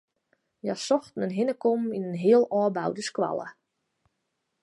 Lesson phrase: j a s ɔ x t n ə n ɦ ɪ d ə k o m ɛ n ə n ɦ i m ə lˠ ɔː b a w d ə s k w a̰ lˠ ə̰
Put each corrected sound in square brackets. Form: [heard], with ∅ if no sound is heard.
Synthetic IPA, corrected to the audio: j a s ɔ x t n ə n ɦ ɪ [n] ə k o m [i] n ə n ɦ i [∅] ə lˠ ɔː b a w d ə s k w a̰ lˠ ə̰

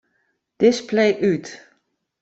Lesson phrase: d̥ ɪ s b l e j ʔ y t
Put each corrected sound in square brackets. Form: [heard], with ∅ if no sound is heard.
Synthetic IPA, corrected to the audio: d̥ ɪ s [p] l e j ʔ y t

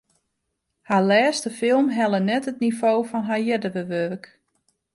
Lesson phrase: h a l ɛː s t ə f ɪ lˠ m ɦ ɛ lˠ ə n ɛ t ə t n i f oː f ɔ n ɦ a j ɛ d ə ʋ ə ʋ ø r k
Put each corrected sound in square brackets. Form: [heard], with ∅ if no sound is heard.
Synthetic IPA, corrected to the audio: h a l ɛː s t ə f ɪ lˠ m ɦ ɛ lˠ ə n ɛ t ə t n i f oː f ɔ n ɦ a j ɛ d ə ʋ ə ʋ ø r k

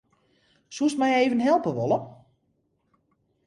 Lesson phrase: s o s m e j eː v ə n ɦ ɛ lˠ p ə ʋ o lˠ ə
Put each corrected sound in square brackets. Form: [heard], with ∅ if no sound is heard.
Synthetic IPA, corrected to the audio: s [u] s m [ɛ] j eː v ə n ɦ ɛ lˠ p ə ʋ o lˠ ə

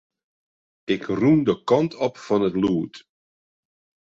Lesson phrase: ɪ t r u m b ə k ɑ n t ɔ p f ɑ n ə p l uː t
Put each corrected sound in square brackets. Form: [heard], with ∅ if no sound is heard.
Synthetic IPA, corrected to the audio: ɪ [k] r u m [d] ə k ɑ n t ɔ p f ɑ n ə [t] l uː t

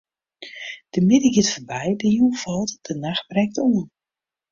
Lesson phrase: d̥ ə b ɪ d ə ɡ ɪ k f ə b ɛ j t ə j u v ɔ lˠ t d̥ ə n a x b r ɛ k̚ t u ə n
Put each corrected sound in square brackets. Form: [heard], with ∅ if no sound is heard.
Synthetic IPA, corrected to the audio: d̥ ə [m] ɪ d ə ɡ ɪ [t] f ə b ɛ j [d] ə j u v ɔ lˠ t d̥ ə n a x b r ɛ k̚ t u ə n

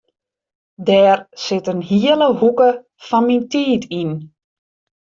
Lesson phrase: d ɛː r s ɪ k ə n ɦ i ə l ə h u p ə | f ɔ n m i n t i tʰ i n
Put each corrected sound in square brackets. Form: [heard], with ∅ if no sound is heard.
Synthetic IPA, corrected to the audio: d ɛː r s ɪ [t] ə n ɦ i ə l ə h u [k] ə | f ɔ n m i n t [iː] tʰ i n

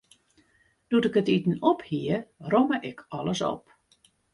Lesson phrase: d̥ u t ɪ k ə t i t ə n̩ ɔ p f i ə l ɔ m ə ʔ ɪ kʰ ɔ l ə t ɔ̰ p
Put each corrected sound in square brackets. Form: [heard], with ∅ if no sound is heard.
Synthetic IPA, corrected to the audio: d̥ u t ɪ k ə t i t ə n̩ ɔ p [h] i ə [r] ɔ m ə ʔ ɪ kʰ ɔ l ə [s] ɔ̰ p

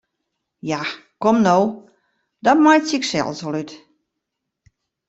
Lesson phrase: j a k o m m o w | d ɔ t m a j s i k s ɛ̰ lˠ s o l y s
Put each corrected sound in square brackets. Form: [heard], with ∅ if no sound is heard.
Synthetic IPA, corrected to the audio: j a k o m [n] o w | d ɔ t m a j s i k s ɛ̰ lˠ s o l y [t]

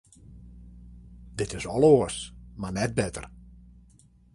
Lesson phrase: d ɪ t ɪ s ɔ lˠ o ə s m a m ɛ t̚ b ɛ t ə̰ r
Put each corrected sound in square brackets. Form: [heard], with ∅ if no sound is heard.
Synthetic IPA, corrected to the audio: d ɪ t ɪ s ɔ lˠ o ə s m a [n] ɛ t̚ b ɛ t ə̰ r

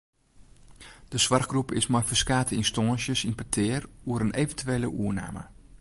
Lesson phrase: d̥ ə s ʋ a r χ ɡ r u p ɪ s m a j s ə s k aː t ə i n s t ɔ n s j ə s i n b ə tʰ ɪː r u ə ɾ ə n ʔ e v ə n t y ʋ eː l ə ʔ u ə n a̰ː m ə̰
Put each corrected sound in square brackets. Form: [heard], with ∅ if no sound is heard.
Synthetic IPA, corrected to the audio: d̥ ə s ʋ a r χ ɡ r u p ɪ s m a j [f] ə s k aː t ə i n s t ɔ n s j ə s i n [p] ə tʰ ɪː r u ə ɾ ə n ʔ e v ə n t y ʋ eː l ə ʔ u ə n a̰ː m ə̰

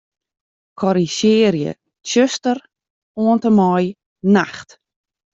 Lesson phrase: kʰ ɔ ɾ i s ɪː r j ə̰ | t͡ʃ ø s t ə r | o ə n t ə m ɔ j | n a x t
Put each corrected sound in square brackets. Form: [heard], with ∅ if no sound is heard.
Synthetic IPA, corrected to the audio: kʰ ɔ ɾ i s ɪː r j ə̰ | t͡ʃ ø s t ə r | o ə n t ə m ɔ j | n a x t

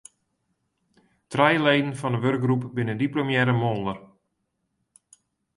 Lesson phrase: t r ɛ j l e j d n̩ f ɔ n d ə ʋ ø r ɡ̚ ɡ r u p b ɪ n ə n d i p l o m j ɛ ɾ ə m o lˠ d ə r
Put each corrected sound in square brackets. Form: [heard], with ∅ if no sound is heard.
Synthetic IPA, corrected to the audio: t r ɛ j l e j d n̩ f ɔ n d ə ʋ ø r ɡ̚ ɡ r u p b ɪ n ə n d i p l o m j ɛ ɾ ə m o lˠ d ə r

